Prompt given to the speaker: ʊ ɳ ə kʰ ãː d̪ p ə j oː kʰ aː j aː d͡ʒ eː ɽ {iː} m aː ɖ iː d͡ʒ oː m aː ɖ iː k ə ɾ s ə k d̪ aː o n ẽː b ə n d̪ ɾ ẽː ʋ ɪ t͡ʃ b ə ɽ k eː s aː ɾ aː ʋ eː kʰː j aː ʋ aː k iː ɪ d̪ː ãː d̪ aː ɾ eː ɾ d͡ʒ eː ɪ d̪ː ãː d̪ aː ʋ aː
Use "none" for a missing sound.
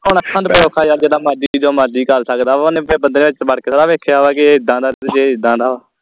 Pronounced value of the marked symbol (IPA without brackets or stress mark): aː